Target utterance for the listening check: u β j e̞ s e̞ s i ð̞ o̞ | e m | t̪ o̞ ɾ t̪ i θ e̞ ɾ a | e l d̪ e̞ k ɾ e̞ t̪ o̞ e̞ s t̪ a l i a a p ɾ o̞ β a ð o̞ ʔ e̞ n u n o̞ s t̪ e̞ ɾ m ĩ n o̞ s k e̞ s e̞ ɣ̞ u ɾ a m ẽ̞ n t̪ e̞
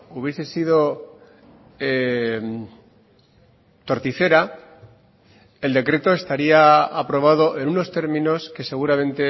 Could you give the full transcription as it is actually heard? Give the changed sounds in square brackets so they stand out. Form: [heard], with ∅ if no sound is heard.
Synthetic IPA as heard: u β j e̞ s e̞ s i ð̞ o̞ | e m | t̪ o̞ ɾ t̪ i θ e̞ ɾ a | e l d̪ e̞ k ɾ e̞ t̪ o̞ e̞ s t̪ a [ɾ] i a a p ɾ o̞ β a ð o̞ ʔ e̞ n u n o̞ s t̪ e̞ ɾ m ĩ n o̞ s k e̞ s e̞ ɣ̞ u ɾ a m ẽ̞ n t̪ e̞